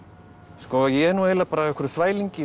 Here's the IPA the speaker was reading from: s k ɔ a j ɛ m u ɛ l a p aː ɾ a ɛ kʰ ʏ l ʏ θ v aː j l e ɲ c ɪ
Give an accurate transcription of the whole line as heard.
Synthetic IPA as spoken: s k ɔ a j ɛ n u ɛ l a p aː ɾ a ɛ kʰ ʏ ɾ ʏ θ v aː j l i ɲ c ɪ

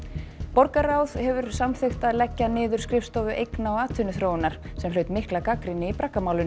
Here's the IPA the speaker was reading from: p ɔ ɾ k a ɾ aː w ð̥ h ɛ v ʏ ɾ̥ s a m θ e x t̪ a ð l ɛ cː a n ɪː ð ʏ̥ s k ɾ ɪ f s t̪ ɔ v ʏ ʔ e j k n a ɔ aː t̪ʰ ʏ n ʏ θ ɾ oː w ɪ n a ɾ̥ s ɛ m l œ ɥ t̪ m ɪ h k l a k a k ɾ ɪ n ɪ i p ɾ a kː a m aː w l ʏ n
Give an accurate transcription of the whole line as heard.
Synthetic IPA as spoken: p ɔ ɾ k a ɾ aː w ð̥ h ɛ v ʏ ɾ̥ s a m θ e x t̪ a ð l ɛ cː a n ɪː ð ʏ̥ s k ɾ ɪ f s t̪ ɔ v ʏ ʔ e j k n a ɔ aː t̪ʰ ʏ n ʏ θ ɾ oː w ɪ n a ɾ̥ s ɛ m l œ ɥ t̪ m ɪ h k l a k a k ɾ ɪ n ɪ i p ɾ a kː a m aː w l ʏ n

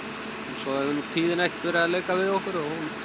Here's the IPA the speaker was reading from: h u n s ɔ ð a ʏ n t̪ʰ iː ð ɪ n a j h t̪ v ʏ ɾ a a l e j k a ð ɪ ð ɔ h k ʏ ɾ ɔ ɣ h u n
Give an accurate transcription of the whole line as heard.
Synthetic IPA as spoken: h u n s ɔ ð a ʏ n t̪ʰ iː ð ɪ n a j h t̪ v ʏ ɾ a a l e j k a v ɪ ð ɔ h k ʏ ɾ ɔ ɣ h u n

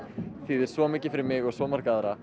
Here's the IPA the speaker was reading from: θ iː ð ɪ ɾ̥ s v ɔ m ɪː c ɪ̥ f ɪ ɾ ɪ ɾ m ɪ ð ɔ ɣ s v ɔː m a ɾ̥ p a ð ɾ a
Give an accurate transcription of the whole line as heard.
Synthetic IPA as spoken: θ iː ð ɪ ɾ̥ s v ɔ m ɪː c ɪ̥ f ɪ ɾ ɪ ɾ m ɪ ɣ ɔ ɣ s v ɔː m a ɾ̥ k a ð ɾ a

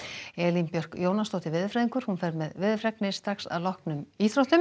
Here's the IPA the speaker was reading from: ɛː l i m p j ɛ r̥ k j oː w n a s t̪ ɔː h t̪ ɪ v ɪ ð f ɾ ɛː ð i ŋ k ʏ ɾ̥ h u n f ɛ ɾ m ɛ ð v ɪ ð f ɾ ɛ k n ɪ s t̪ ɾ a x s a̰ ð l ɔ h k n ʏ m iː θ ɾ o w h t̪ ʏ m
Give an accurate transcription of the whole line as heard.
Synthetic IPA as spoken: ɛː l i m p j œ r̥ k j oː w n a s t̪ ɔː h t̪ ɪ v ɪ ð f ɾ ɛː ð i ŋ k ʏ ɾ̥ h u n f ɛ ɾ m ɛ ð v ɪ ð f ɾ ɛ k n ɪ s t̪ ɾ a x s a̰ ð l ɔ h k n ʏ m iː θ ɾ o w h t̪ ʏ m

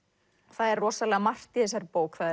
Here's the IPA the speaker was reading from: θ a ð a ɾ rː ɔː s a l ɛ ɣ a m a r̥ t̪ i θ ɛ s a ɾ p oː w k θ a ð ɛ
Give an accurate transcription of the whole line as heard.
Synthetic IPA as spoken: θ a ð ɛ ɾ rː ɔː s a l ɛ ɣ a m a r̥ t̪ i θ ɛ s a ɾ p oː w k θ a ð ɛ

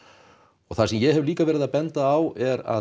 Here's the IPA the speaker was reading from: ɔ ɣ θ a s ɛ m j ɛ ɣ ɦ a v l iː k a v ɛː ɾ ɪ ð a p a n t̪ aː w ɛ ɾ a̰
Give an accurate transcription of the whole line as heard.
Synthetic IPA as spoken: ɔ ɣ θ a s ɛ m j ɛ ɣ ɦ ɛ v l iː k a v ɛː ɾ ɪ ð a p ɛ n t̪ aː w ɛ ɾ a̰

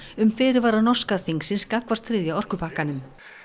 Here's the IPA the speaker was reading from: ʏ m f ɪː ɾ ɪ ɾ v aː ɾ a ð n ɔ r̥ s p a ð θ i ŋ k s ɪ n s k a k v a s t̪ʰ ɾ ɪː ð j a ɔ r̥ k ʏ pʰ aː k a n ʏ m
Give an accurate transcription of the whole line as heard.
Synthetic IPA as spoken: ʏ m f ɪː ɾ ɪ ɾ v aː ɾ a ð n ɔ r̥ s k a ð θ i ŋ k s ɪ n s k a k v a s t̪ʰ ɾ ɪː ð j a ɔ r̥ k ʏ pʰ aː k a n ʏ m

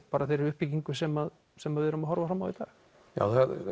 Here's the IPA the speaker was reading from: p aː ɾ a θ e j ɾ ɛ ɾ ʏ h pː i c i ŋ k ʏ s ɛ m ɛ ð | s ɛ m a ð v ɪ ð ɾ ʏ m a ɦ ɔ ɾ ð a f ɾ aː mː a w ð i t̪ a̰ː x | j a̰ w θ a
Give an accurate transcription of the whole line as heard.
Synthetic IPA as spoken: p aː ɾ a θ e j ɾ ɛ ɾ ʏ h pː i c i ŋ k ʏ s ɛ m a ð | s ɛ m a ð v ɪ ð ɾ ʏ m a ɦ ɔ ɾ v a f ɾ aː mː a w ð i t̪ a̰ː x | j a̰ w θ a

